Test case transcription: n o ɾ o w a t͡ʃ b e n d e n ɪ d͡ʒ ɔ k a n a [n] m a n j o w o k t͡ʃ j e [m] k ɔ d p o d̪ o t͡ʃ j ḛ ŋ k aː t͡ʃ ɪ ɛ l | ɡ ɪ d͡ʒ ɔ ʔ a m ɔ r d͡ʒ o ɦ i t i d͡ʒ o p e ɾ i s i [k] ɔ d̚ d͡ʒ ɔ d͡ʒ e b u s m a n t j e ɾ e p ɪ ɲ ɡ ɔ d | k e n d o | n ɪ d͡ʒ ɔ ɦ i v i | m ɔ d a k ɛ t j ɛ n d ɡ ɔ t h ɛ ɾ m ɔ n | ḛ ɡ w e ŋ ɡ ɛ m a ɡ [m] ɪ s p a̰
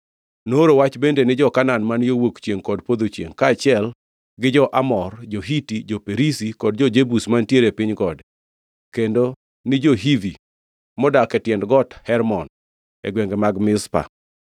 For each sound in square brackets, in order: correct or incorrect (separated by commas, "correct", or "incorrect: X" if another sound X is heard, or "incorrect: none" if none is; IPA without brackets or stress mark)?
correct, incorrect: ŋ, correct, correct